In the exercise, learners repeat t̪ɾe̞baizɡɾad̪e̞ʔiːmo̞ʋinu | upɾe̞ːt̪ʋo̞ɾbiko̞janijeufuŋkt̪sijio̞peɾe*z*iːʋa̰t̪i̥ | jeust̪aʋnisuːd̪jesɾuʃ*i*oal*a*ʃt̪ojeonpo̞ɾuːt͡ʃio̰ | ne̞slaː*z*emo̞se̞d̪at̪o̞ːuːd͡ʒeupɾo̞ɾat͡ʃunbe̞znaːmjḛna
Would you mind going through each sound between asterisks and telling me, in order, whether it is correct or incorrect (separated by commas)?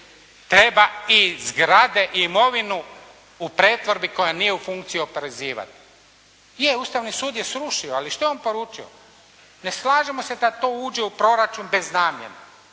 correct, correct, incorrect, incorrect